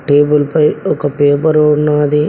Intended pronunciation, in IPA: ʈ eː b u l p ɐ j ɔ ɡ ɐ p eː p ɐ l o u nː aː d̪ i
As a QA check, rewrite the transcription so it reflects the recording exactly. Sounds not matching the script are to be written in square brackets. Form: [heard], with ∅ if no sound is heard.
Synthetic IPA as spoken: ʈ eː b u l p ɐ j ɔ [k] ɐ p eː p ɐ [ɾ] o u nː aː d̪ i